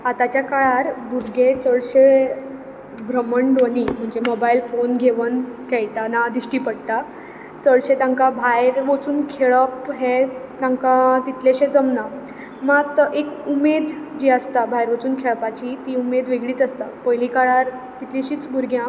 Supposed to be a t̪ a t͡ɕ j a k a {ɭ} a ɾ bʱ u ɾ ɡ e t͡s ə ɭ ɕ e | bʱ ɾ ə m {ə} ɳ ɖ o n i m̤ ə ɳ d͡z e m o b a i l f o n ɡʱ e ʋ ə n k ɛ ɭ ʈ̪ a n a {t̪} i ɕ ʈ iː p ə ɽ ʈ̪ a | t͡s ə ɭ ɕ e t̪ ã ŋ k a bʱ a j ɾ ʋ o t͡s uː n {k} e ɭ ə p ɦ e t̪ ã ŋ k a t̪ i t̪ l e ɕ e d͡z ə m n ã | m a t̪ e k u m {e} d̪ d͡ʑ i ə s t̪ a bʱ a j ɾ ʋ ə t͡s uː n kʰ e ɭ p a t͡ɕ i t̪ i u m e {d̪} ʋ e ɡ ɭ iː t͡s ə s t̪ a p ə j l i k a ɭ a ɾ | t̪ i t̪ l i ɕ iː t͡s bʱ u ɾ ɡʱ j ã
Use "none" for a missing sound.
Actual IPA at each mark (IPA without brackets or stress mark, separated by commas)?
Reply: ɭ, ə, d̪, kʰ, e, d̪